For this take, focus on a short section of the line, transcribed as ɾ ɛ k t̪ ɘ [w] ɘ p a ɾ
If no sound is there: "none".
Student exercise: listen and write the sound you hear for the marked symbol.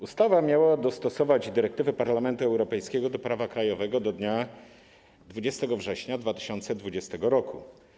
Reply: v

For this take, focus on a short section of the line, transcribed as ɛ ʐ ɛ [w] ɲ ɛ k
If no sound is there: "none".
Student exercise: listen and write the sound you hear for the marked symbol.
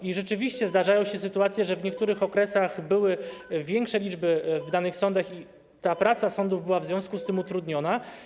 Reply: v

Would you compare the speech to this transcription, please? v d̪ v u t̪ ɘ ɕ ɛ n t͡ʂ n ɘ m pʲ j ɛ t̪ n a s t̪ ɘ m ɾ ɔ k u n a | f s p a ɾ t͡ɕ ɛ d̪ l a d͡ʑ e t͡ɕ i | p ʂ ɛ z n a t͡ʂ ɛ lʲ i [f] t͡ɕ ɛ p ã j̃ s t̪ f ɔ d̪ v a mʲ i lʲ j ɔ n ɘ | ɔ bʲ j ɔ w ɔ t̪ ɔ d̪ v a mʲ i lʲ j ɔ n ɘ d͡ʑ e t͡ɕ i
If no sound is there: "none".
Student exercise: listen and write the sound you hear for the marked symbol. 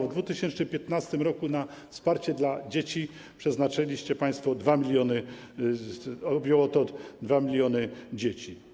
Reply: ɕ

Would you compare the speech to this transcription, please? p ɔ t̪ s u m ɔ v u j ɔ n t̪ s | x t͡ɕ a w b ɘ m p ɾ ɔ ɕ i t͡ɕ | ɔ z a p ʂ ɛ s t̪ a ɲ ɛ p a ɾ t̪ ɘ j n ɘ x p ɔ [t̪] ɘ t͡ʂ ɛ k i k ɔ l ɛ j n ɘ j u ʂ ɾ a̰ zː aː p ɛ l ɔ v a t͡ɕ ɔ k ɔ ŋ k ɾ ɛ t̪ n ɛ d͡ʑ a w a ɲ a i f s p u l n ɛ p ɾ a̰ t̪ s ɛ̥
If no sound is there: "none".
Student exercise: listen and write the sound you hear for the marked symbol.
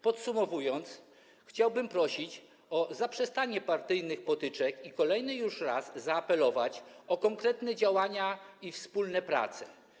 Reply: t̪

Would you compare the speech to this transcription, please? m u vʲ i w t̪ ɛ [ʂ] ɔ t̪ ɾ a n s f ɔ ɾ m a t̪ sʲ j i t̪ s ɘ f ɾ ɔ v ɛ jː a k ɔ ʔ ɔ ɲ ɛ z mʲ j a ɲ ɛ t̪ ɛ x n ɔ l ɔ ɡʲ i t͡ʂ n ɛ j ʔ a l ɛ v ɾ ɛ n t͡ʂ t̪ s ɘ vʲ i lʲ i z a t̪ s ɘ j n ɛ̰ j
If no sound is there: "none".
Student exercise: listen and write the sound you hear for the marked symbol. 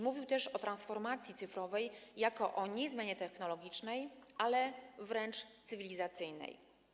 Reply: ʂ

